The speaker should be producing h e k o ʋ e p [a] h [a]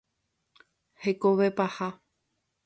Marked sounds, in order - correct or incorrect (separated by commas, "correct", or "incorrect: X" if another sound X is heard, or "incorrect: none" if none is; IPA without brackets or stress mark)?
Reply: correct, correct